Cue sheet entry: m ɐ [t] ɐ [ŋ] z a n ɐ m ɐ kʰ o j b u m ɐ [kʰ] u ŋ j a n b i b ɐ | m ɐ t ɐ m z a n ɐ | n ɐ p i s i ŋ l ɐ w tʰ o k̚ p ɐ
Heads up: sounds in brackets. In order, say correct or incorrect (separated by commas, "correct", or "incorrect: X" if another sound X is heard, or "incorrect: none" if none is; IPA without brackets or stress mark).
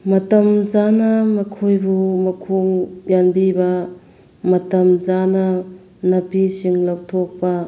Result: correct, incorrect: m, correct